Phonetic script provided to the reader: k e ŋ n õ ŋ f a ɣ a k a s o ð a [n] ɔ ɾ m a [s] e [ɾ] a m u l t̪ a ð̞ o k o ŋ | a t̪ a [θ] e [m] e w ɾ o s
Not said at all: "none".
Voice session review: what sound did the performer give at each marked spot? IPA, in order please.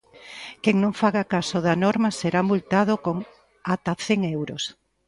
n, s, ɾ, θ, ŋ

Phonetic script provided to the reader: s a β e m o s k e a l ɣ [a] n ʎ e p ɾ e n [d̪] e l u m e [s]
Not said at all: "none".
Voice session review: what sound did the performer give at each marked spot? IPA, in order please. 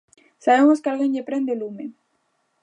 e, d̪, none

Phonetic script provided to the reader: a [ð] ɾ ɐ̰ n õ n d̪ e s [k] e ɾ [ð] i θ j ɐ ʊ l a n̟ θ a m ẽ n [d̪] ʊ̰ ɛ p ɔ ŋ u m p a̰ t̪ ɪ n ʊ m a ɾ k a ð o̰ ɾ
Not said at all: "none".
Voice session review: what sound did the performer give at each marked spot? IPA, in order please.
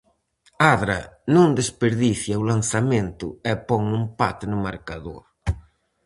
ð, p, ð, t̪

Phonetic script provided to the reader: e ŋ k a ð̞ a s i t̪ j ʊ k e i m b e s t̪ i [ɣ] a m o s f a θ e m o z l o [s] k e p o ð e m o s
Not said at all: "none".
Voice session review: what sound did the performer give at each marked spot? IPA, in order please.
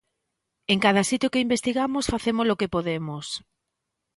ɣ, none

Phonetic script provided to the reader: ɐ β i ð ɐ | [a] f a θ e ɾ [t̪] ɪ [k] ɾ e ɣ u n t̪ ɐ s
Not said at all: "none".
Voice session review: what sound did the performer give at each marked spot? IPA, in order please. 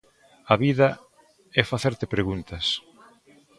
ɛ, t̪, p

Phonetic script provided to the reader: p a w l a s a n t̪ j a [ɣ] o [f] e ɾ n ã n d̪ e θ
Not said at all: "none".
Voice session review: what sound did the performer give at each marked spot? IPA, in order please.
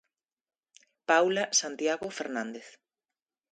ɣ, f

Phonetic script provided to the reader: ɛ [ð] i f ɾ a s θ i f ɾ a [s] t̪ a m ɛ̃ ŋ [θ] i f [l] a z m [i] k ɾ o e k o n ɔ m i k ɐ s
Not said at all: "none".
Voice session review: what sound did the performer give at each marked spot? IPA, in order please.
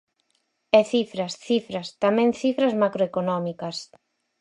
θ, s, θ, ɾ, a

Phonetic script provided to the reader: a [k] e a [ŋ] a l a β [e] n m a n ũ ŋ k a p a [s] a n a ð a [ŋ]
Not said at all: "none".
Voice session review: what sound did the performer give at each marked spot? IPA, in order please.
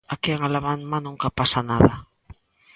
k, ŋ, a, s, none

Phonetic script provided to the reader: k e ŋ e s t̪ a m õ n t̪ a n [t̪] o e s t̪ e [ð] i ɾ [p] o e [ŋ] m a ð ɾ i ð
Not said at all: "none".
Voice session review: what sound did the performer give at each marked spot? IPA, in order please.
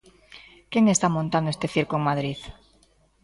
d̪, θ, k, ŋ

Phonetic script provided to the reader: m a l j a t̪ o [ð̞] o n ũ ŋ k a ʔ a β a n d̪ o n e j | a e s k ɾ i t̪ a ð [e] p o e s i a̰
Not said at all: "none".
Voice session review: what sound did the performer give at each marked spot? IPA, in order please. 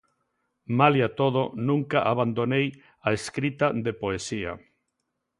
ð̞, e

